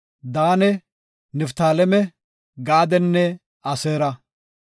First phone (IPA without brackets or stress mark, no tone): d̪